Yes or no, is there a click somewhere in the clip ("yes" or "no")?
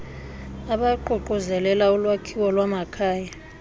yes